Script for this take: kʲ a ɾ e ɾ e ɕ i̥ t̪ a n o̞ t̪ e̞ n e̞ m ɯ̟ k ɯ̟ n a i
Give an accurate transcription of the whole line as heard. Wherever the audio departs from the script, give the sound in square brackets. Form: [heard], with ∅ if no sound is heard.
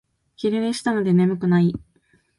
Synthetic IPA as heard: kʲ [i] ɾ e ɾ e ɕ i̥ t̪ a n o̞ [d̪] e̞ n e̞ m ɯ̟ k ɯ̟ n a i

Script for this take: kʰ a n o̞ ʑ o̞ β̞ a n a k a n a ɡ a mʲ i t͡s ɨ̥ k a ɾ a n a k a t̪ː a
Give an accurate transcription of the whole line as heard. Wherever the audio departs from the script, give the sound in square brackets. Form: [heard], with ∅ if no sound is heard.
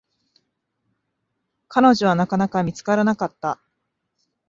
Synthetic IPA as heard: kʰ a n o̞ ʑ o̞ β̞ a n a k a n a [k] a mʲ i t͡s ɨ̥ k a ɾ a n a k a t̪ː a

